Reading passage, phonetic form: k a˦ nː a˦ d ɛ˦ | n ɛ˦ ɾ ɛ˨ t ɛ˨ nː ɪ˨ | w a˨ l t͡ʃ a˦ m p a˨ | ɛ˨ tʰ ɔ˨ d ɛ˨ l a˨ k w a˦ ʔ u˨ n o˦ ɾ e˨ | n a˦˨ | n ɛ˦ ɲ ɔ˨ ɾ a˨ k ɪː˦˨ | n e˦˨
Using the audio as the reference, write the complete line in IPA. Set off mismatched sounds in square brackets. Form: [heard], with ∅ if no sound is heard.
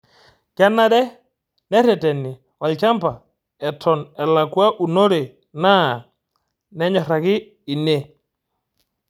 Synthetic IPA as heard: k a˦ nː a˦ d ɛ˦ | n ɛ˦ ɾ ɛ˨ t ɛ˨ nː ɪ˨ | w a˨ l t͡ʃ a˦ m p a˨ | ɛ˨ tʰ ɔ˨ [n] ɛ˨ l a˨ k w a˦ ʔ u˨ n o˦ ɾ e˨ | n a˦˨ | n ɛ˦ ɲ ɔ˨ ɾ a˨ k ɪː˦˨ | n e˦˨